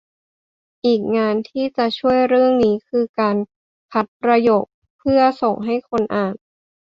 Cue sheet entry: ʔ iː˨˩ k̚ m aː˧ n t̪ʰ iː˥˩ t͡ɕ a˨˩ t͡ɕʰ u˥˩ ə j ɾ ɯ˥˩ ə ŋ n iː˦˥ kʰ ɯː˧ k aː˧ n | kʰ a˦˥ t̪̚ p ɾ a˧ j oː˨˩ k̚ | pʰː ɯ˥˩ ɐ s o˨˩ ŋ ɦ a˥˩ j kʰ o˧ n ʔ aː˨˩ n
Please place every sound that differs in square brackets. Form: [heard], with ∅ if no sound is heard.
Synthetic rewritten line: ʔ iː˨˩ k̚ [ŋ] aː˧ n t̪ʰ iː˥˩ t͡ɕ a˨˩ t͡ɕʰ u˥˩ ə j ɾ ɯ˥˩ ə ŋ n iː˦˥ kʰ ɯː˧ k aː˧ n | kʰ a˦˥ t̪̚ p ɾ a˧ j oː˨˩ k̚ | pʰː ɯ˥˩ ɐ s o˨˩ ŋ ɦ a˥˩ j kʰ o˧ n ʔ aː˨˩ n